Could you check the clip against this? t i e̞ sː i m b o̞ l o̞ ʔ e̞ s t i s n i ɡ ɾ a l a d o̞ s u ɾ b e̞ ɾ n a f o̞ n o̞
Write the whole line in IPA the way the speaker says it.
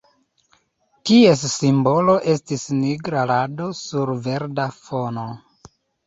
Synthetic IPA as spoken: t i e̞ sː i m b o̞ l o̞ ʔ e̞ s t i s n i ɡ ɾ a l a d o̞ s u ɾ v e̞ ɾ d a f o̞ n o̞